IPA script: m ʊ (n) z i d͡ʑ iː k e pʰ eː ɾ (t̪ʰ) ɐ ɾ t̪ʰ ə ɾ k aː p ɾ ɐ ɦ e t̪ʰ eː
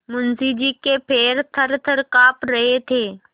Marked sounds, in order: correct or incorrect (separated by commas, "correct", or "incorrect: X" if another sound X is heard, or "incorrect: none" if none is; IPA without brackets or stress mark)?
correct, correct